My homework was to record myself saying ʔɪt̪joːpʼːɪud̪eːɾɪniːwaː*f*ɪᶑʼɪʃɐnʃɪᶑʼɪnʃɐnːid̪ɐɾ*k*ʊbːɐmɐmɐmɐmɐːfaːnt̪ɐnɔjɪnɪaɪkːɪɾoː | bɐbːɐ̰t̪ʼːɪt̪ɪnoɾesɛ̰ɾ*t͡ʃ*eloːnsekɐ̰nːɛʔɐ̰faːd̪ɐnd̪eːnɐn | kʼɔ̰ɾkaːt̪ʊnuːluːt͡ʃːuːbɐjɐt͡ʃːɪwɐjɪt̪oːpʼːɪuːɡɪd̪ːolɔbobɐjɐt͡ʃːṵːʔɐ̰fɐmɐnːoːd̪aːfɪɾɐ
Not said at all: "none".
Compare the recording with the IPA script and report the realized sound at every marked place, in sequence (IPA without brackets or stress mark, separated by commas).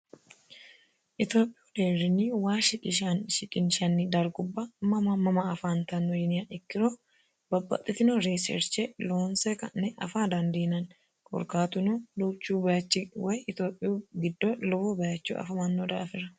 ʃ, ɡ, t͡ʃ